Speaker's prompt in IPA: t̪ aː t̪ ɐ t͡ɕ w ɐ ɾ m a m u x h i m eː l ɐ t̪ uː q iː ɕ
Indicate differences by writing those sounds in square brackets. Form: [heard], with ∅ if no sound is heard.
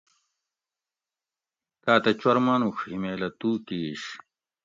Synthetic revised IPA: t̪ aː t̪ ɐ t͡ɕ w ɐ ɾ m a [n] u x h i m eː l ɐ t̪ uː [k] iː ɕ